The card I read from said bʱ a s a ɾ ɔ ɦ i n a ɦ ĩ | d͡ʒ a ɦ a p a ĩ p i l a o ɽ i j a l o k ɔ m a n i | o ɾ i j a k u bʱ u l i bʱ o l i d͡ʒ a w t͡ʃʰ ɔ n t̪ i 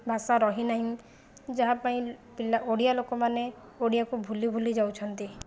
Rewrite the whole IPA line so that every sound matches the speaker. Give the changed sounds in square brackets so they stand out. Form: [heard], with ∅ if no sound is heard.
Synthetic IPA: bʱ a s a ɾ ɔ ɦ i n a ɦ ĩ | d͡ʒ a ɦ a p a ĩ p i l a o ɽ i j a l o k ɔ m a n [e] | o [ɽ] i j a k u bʱ u l i bʱ [u] l i d͡ʒ a w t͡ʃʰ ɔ n t̪ i